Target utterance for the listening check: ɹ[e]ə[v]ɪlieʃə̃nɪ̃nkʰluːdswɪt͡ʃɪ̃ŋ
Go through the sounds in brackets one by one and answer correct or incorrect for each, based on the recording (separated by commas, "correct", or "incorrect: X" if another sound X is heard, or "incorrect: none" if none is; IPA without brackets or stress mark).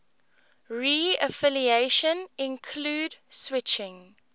incorrect: i, incorrect: f